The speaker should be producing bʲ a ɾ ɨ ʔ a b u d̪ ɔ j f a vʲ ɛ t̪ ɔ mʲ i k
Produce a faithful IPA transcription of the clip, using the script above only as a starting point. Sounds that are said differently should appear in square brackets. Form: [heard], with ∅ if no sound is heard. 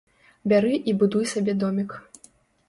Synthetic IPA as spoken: bʲ a ɾ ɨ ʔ [i] b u d̪ [u] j [s] a [bʲ] ɛ [d̪] ɔ mʲ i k